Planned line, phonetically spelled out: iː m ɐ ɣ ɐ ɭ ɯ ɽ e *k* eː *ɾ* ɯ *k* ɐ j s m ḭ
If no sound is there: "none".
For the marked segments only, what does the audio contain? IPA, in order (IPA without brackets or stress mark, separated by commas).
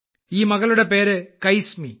p, ɾ, k